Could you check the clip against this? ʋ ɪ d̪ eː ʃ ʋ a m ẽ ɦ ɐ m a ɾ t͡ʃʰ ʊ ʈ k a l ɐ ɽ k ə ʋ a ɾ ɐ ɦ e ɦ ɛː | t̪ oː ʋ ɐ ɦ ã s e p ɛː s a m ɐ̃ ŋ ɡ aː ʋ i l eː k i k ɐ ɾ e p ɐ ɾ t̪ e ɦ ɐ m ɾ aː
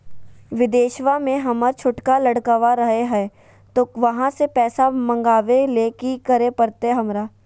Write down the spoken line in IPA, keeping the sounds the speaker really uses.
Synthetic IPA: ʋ ɪ d̪ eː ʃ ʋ a m ẽ ɦ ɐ m ə ɾ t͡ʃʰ ʊ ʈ k a l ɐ ɽ k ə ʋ a ɾ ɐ ɦ e ɦ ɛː | t̪ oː ʋ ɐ ɦ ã s e p ɛː s a m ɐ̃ ŋ ɡ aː ʋ e l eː k i k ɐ ɾ e p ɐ ɾ t̪ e ɦ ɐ m ɾ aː